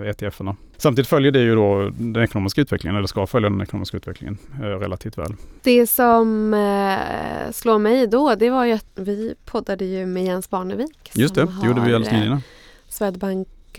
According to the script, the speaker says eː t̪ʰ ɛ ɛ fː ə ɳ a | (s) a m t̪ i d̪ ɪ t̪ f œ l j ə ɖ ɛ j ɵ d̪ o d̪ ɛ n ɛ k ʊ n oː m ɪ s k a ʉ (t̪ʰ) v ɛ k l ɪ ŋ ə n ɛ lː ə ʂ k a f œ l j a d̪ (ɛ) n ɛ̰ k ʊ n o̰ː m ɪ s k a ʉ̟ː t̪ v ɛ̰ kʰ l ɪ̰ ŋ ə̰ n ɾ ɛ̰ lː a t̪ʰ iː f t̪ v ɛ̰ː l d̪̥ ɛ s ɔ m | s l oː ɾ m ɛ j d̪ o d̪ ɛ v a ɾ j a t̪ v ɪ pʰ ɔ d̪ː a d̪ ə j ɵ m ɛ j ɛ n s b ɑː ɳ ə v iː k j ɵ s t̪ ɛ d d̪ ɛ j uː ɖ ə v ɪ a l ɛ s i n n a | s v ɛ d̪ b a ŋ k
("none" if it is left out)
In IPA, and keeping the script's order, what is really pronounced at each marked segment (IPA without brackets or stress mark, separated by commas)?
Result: s, t̪, ɛ